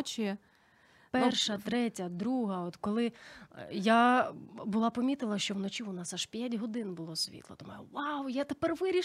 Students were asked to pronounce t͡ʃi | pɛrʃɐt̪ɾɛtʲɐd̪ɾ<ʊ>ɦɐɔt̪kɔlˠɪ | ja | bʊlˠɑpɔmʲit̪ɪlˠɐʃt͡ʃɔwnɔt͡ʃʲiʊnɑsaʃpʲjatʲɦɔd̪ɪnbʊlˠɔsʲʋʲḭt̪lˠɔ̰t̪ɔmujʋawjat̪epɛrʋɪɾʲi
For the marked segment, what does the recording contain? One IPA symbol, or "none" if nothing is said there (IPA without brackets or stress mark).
u